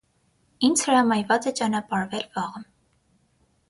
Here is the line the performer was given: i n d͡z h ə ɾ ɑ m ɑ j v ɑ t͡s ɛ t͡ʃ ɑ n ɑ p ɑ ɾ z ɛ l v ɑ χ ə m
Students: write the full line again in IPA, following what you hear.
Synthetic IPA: i n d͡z h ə ɾ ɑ m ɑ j v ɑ t͡s ɛ t͡ʃ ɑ n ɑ p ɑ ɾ v ɛ l v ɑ ʁ ə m